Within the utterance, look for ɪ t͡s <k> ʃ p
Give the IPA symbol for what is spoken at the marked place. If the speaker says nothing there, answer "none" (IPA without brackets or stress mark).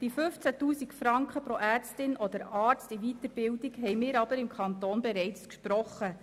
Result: k